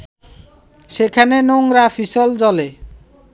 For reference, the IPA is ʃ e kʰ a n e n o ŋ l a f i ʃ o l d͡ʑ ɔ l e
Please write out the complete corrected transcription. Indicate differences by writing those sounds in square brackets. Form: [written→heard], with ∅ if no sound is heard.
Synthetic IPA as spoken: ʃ e kʰ a n e n o ŋ [l→ɾ] a f i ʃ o l d͡ʑ ɔ l e